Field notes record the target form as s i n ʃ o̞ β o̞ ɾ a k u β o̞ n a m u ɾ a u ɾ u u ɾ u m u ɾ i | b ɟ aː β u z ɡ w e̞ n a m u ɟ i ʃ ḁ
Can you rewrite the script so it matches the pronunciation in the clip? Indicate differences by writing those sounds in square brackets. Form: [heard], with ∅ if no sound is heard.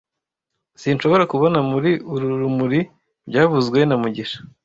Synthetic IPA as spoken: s i n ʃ o̞ β o̞ ɾ a k u β o̞ n a m u ɾ [i] u ɾ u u ɾ u m u ɾ i | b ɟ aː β u z ɡ w e̞ n a m u ɟ i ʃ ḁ